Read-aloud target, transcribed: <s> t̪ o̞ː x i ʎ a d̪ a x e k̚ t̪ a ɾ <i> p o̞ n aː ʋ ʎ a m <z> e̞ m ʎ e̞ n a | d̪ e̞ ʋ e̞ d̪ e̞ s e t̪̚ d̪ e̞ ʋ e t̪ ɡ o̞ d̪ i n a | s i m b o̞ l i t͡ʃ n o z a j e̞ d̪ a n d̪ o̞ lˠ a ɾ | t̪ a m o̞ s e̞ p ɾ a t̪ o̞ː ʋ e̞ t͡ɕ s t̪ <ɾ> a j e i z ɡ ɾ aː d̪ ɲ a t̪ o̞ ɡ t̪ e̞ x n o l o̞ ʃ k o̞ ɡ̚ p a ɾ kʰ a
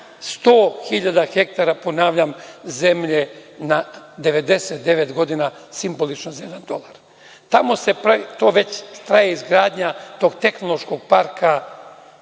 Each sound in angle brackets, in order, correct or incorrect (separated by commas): correct, incorrect, correct, correct